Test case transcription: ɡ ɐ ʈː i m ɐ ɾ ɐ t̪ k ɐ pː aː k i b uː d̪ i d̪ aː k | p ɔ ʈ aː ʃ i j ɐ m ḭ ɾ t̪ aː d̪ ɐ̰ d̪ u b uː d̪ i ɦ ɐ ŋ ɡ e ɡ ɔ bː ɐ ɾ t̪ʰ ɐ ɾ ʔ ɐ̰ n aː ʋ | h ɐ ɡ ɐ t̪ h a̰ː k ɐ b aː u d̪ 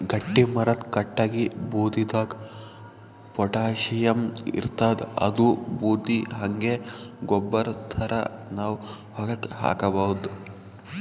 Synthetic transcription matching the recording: ɡ ɐ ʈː i m ɐ ɾ ɐ t̪ k ɐ ʈː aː ɡ i b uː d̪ i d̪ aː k | p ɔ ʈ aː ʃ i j ɐ m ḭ ɾ t̪ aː d̪ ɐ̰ d̪ u b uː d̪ i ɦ ɐ ŋ ɡ e ɡ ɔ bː ɐ ɾ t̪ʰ ɐ ɾ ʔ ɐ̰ n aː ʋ | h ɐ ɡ ɐ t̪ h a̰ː k ɐ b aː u d̪